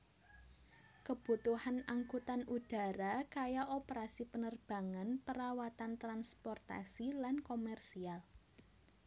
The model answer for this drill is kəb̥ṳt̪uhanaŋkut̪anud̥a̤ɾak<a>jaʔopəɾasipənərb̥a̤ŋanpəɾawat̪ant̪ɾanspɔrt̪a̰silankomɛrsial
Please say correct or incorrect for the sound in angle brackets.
correct